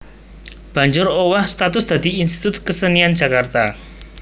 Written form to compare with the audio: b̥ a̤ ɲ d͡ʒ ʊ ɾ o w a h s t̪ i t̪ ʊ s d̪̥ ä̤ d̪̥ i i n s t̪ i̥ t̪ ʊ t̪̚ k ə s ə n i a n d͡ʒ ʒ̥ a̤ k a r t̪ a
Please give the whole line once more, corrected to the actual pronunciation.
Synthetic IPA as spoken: b̥ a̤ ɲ d͡ʒ ʊ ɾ o w a h s t̪ a t̪ ʊ s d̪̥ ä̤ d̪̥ i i n s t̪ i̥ t̪ ʊ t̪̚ k ə s ə n i a n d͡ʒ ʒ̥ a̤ k a r t̪ a